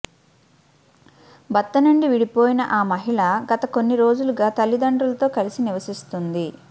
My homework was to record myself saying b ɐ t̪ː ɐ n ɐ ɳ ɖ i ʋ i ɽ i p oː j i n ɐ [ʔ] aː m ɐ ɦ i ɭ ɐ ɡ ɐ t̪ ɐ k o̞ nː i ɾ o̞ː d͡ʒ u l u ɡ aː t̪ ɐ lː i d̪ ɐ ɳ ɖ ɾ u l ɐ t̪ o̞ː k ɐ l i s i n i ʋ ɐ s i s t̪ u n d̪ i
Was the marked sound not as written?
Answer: no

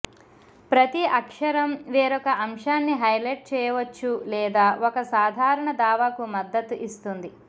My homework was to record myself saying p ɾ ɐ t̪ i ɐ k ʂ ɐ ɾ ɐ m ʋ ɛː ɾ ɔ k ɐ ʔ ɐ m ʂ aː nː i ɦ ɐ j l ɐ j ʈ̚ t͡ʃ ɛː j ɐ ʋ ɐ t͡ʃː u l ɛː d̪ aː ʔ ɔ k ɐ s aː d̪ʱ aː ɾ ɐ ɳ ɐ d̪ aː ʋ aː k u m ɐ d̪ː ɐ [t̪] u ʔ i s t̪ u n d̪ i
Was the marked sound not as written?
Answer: no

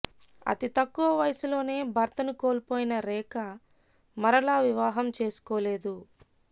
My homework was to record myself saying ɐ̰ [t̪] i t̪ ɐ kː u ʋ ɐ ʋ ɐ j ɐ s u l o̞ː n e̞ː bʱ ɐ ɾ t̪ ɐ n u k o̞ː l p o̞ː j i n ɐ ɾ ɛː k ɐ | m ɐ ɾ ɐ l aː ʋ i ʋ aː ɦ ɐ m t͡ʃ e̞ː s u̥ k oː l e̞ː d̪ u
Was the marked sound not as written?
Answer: no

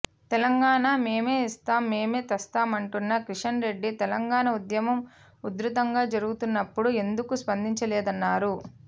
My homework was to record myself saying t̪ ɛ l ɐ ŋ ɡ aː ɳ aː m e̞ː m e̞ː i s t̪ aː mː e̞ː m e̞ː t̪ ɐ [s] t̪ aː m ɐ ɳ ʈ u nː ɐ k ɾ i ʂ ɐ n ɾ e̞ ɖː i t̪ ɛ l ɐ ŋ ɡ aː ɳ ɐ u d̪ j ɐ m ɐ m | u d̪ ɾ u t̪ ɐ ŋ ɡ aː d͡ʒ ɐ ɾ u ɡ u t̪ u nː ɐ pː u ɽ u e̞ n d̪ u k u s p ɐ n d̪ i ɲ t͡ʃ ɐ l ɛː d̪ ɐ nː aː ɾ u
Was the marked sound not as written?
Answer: no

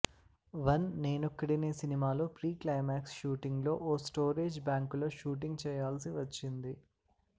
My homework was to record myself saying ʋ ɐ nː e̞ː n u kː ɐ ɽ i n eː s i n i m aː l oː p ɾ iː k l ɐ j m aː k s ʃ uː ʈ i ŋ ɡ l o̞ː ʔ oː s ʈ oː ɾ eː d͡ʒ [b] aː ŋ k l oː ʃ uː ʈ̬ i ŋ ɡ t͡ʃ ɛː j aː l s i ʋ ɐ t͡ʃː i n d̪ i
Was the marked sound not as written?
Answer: no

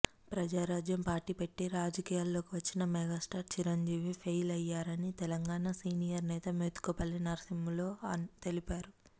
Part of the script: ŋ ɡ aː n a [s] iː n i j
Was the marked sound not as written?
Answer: no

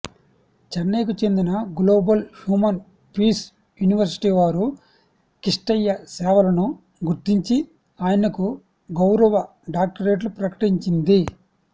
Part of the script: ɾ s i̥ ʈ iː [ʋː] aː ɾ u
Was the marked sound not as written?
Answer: yes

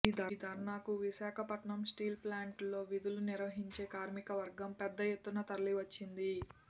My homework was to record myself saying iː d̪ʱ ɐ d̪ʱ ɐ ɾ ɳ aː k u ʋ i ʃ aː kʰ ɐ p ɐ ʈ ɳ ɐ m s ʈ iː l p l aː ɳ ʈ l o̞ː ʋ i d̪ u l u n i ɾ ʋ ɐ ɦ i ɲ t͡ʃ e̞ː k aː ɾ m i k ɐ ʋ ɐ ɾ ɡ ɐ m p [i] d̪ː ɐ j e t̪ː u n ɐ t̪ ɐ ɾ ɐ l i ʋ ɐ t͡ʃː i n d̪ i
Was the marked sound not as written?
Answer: yes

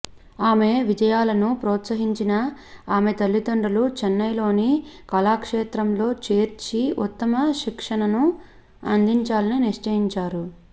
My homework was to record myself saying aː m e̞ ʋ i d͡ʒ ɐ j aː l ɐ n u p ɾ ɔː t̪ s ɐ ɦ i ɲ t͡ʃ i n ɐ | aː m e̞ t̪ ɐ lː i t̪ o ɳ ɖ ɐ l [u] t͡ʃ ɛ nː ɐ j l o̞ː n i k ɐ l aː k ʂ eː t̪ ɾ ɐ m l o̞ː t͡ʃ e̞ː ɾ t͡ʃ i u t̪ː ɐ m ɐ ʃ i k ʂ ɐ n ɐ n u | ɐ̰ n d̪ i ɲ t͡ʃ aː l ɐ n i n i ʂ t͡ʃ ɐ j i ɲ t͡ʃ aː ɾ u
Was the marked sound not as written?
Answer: no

